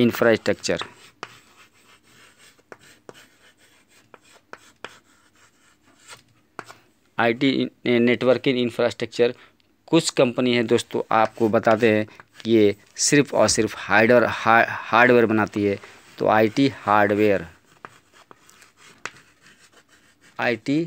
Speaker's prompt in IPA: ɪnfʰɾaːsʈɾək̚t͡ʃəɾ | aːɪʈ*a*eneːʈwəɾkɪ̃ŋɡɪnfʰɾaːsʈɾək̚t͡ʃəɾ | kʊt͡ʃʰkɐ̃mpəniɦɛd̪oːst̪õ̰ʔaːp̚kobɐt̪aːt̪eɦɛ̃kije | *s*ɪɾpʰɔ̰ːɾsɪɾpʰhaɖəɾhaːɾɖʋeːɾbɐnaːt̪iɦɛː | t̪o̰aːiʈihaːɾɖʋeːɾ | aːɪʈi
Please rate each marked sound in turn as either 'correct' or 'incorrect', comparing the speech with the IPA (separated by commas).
incorrect, correct